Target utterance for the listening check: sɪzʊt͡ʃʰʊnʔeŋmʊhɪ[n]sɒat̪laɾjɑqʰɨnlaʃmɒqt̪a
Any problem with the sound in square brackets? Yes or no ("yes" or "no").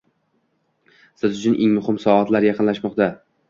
yes